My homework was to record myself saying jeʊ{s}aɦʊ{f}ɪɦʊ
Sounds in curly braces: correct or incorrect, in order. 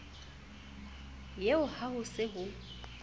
incorrect: h, incorrect: s

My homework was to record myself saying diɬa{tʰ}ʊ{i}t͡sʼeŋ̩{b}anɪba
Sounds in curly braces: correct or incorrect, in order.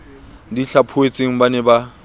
incorrect: pʰ, incorrect: e, correct

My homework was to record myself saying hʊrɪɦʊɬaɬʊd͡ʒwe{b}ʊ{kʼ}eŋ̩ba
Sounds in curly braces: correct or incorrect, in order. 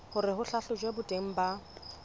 correct, incorrect: tʼ

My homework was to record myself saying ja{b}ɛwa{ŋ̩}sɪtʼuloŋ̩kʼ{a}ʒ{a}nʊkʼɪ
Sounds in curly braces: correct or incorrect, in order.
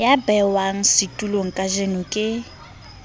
correct, correct, correct, incorrect: e

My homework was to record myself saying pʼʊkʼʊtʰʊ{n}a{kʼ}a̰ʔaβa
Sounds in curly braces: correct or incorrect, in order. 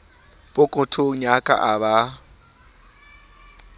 incorrect: ɲ, correct

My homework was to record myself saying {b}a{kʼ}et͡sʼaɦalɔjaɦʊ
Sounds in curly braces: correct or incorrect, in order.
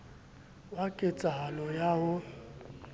incorrect: w, correct

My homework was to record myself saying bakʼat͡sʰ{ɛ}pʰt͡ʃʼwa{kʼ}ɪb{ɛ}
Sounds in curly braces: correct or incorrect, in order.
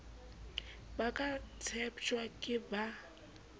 correct, correct, incorrect: a

